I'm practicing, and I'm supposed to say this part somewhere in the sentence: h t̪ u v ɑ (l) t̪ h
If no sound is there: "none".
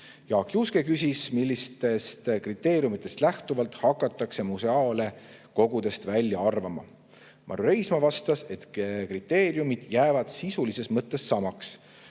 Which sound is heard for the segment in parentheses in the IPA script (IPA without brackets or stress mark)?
l